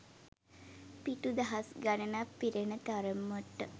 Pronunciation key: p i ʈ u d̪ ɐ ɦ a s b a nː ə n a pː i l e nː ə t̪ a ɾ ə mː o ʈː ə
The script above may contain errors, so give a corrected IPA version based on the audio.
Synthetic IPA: p i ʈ u d̪ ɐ ɦ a s ɡ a n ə n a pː i ɾ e n ə t̪ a ɾ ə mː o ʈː ə